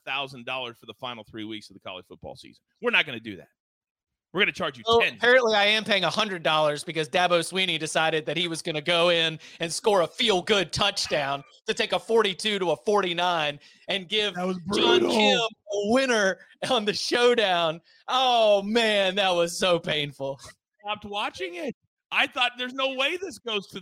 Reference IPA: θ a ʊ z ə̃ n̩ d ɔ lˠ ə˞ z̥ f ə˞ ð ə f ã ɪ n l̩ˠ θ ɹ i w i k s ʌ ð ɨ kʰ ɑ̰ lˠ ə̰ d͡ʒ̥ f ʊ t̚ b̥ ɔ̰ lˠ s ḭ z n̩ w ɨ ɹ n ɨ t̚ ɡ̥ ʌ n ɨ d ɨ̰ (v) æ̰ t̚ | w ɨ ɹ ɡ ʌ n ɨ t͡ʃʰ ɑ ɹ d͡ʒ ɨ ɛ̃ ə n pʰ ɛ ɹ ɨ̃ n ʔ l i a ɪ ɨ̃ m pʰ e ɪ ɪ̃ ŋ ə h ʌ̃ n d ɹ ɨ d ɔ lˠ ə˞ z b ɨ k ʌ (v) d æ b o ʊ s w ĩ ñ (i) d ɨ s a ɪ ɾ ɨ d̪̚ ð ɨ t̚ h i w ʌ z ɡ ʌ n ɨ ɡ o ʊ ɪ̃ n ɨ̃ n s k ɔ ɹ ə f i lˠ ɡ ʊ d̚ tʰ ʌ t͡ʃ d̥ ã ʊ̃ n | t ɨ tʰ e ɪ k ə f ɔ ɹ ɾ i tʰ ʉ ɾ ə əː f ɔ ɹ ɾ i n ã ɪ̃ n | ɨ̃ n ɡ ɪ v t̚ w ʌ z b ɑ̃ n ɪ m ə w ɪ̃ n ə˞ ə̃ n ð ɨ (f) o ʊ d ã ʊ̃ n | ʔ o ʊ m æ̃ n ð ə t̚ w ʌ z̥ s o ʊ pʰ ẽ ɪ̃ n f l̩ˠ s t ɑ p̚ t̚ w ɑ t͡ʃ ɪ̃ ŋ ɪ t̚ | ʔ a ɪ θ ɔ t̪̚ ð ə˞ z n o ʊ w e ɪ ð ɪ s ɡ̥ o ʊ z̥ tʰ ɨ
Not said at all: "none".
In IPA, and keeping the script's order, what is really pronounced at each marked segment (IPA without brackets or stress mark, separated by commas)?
ð, z, i, ʃ